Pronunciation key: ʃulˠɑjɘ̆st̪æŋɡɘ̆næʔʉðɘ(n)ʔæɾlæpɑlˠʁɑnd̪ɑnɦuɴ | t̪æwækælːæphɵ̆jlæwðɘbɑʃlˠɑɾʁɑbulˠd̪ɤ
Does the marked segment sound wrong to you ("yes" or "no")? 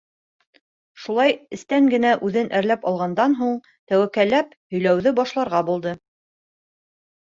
no